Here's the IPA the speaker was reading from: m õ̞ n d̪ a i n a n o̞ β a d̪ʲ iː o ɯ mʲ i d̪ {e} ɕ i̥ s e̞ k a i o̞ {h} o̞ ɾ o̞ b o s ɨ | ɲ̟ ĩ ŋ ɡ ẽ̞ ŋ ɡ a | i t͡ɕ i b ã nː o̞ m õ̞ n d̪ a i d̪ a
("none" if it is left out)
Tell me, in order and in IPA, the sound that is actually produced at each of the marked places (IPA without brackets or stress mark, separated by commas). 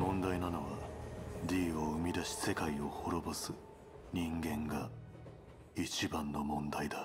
a, h